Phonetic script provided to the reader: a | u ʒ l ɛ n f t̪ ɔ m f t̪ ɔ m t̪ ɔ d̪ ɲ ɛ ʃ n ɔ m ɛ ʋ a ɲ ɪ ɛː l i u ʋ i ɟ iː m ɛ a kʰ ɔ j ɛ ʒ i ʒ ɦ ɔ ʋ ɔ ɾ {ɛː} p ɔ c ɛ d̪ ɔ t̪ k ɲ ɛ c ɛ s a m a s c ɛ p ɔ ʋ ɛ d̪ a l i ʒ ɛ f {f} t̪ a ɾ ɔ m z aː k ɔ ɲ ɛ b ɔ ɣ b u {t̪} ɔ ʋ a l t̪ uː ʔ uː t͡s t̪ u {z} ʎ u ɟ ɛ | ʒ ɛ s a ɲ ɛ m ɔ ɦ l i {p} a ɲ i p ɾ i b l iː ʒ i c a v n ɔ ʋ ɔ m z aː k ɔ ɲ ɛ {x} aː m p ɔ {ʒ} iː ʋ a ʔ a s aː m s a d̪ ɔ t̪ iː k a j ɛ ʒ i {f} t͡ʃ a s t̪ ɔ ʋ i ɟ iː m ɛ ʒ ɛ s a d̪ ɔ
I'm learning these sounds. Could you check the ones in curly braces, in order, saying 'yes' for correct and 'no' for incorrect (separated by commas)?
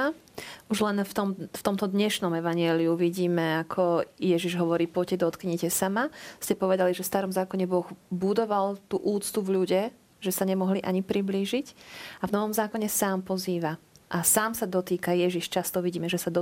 no, no, no, no, no, no, no, no